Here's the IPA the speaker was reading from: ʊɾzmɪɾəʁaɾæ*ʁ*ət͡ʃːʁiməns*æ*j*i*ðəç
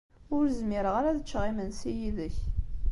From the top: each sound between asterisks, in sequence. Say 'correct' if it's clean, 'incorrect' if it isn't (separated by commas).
incorrect, incorrect, correct